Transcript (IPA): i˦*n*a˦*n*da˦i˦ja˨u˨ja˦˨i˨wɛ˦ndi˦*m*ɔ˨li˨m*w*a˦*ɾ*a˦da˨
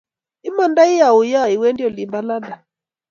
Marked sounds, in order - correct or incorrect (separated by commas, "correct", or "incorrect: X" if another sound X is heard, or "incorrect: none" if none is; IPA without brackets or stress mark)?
incorrect: m, correct, incorrect: none, incorrect: b, incorrect: l